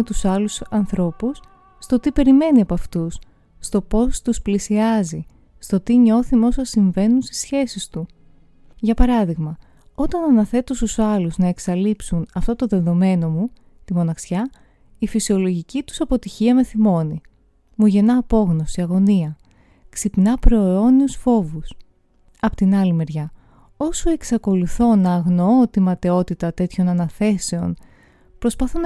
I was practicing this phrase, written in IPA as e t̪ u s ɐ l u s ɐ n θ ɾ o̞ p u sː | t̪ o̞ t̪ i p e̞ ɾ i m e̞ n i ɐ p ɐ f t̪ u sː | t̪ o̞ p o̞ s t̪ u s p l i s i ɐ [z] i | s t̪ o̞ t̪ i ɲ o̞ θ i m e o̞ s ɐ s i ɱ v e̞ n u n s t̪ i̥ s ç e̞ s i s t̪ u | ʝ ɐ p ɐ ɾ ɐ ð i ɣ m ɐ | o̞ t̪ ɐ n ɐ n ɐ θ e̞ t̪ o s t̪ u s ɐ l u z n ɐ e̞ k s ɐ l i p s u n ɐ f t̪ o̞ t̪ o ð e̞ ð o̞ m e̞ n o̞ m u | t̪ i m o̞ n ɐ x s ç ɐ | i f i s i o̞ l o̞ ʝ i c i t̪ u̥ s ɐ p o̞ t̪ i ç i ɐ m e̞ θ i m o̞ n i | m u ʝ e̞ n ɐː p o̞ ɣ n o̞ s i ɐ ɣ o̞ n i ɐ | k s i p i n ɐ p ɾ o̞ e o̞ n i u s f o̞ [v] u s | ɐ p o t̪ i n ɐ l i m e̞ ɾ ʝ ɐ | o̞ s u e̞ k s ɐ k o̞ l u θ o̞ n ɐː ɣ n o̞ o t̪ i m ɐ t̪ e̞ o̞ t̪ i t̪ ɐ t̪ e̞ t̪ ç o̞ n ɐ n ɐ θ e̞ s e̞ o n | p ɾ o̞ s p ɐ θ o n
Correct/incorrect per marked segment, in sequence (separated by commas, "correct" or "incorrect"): correct, correct